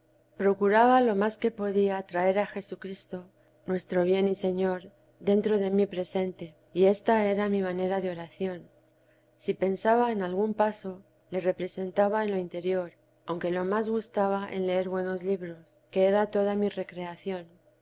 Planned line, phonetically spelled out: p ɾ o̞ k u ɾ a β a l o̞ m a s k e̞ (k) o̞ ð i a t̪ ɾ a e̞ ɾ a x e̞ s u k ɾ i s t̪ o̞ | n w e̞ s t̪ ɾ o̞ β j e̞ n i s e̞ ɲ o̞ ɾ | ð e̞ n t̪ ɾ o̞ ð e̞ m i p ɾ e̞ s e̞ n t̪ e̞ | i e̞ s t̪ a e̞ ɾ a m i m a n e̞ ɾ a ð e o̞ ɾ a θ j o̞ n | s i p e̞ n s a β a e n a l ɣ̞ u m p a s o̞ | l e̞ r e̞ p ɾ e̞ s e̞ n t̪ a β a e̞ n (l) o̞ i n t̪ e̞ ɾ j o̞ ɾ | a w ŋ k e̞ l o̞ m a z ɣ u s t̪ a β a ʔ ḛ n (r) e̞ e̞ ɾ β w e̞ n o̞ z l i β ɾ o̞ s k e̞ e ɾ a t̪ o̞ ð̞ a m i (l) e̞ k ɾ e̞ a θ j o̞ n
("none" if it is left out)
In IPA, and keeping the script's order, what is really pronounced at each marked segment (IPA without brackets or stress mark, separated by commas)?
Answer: p, l, l, r